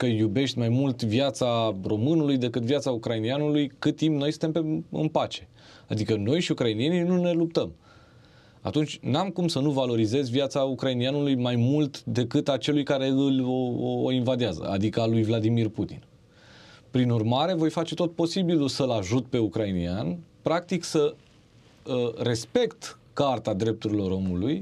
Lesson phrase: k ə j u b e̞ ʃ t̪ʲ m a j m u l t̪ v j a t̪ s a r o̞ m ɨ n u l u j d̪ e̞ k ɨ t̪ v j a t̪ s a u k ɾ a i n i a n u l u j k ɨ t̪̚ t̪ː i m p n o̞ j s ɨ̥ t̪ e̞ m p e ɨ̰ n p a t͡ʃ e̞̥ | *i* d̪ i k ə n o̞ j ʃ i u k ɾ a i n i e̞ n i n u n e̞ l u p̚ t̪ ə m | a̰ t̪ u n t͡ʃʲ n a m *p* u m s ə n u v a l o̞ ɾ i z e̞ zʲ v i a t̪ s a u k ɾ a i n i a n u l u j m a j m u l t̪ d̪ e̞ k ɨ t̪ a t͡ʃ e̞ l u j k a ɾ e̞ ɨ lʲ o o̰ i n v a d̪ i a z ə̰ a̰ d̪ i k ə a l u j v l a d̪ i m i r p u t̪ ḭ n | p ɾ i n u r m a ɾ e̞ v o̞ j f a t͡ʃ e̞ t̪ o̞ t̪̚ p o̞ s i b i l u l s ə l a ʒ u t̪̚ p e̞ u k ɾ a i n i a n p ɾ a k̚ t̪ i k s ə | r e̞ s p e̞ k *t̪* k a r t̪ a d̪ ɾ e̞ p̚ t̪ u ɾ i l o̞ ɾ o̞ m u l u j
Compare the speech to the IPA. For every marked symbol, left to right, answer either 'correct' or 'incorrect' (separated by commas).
incorrect, incorrect, correct